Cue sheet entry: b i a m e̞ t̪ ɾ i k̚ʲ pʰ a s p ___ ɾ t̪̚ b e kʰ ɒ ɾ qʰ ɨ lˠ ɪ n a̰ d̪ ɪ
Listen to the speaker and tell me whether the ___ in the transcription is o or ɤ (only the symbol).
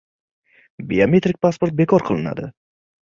o